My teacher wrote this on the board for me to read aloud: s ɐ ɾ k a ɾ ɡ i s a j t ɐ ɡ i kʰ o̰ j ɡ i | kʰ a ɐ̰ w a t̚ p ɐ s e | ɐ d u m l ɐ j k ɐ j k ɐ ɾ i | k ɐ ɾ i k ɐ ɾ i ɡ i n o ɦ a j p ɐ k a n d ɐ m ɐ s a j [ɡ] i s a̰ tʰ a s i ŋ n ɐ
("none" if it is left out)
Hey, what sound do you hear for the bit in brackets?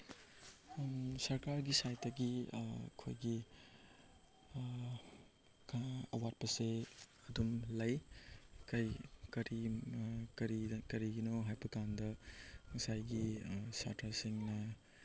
ɡ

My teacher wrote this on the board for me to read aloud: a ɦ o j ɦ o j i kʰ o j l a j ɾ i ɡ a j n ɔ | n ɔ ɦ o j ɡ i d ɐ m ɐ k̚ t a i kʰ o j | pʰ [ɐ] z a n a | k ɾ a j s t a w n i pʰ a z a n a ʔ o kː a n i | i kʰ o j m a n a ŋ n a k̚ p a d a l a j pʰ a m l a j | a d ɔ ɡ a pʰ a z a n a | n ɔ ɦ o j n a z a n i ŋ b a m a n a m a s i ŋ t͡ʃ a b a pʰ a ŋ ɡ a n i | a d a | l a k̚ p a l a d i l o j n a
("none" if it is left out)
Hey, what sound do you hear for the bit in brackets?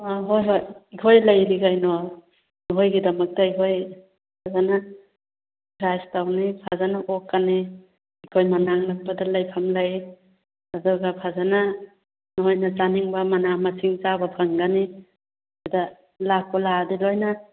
a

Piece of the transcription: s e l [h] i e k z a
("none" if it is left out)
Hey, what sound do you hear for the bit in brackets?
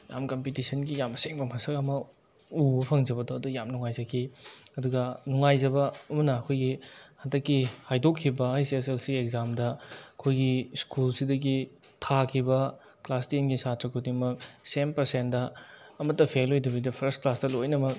s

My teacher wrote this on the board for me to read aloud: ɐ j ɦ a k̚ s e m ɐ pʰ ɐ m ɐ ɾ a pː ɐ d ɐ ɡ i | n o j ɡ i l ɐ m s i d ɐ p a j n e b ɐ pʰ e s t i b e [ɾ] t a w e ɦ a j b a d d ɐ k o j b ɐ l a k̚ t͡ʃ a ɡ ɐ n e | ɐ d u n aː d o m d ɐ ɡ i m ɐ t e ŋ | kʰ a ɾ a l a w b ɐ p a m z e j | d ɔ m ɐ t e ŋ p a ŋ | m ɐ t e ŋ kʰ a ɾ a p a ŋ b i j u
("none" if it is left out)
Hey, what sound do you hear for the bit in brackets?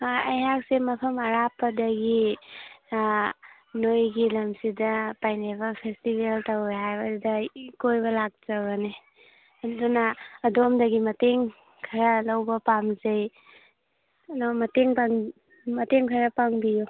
l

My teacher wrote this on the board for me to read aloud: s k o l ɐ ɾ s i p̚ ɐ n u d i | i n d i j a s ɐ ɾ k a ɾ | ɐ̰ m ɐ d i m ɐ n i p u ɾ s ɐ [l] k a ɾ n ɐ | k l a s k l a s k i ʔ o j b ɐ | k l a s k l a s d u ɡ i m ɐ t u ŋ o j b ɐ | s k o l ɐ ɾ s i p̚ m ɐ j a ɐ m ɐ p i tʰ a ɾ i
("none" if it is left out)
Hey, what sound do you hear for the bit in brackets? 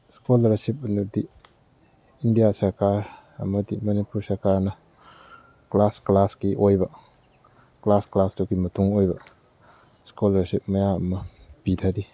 ɾ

